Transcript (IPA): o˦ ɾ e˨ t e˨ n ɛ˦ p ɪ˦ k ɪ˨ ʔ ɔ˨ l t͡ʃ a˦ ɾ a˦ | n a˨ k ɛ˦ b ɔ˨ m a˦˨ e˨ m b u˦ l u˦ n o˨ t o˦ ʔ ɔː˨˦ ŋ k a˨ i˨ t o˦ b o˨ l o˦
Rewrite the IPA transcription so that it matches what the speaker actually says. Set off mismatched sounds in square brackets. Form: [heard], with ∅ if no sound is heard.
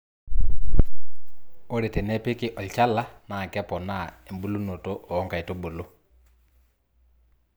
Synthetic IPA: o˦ ɾ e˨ t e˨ n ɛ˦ p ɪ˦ k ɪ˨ ʔ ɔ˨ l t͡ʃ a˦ [l] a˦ | n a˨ k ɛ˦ [p] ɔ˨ [n] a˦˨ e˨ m b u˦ l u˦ n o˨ t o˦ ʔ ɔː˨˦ ŋ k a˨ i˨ t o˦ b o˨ l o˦

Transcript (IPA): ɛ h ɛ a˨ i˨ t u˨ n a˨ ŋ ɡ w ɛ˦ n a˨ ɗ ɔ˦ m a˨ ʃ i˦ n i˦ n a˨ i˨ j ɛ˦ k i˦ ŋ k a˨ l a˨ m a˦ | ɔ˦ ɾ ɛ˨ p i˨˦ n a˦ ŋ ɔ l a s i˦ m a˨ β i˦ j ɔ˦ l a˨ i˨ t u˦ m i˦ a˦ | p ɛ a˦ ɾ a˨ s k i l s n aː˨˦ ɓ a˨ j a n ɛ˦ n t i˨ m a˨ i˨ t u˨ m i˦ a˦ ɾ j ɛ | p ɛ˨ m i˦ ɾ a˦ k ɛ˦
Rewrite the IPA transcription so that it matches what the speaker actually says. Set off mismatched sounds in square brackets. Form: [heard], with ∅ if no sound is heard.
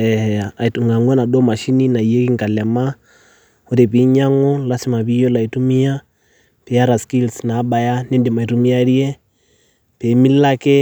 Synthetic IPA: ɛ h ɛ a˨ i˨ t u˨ [ŋ] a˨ ŋ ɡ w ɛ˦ n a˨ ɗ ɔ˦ m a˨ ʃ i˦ n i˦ n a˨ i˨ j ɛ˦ k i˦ ŋ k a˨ l [ɛ˨] m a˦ | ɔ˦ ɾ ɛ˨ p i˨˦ [ɲ] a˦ ŋ ɔ l a s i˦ m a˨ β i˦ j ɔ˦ l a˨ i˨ t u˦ m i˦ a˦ | p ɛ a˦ ɾ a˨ s k i l s n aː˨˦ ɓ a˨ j a n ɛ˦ n [d] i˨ m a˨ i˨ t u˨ m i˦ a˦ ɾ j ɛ | p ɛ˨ m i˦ [l] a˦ k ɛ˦

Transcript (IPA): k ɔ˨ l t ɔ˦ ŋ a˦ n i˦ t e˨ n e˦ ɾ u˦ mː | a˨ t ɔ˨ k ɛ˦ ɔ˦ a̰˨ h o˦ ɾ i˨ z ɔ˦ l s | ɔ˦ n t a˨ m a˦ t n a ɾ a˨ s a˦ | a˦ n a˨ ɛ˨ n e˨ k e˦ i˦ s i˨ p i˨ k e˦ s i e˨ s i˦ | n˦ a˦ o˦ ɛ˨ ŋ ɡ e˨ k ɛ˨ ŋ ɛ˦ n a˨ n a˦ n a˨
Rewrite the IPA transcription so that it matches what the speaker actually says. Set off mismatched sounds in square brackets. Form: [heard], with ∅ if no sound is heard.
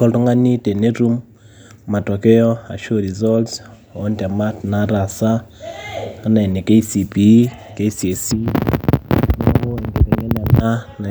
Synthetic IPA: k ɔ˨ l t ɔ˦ ŋ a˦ n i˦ t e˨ n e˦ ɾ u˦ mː | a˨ t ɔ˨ k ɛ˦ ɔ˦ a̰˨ [ʃ] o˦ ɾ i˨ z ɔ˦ l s | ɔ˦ n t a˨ m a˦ t n a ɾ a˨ s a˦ | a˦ n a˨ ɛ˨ n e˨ k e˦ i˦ s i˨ p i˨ k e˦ s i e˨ s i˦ | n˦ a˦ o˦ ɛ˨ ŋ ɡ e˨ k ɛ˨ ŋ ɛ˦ n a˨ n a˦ n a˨

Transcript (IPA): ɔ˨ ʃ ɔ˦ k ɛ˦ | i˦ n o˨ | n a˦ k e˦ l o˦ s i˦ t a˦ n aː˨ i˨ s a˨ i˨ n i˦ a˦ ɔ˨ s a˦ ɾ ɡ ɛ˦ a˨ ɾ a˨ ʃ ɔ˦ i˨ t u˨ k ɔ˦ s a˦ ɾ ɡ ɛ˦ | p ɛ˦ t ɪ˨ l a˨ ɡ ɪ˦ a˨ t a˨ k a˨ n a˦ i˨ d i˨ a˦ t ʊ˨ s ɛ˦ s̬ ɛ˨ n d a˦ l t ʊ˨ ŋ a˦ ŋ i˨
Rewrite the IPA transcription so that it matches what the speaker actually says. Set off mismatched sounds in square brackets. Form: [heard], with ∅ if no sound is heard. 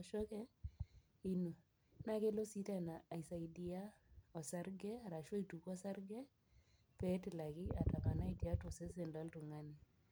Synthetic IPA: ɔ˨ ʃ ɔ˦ k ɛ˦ | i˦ n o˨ | n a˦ k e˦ l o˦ s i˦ t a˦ n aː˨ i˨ s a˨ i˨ [d] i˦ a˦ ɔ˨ s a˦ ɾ ɡ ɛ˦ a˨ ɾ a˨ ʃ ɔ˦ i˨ t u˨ k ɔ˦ s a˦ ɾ ɡ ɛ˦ | p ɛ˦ t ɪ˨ l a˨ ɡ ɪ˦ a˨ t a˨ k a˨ n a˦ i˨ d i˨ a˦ t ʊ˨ s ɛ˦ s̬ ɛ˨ n d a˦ l t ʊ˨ ŋ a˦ [n] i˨

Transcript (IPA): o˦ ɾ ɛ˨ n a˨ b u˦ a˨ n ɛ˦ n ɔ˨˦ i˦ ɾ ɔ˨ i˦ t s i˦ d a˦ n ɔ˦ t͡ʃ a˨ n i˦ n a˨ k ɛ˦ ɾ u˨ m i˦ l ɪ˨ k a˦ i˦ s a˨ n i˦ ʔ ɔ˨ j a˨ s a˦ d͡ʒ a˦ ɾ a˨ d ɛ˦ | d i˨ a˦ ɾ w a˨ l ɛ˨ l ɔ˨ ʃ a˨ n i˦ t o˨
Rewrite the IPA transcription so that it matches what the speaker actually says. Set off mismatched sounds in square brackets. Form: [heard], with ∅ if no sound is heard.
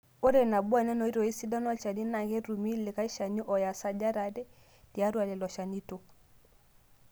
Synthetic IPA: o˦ ɾ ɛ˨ n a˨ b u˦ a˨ n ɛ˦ n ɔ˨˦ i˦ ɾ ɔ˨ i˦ [∅] s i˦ d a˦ n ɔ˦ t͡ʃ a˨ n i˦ n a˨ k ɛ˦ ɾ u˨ m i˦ l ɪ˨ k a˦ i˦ [ʃ] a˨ n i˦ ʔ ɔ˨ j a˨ s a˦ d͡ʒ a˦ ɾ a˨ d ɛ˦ | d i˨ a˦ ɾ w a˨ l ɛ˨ l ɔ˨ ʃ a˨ n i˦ t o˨

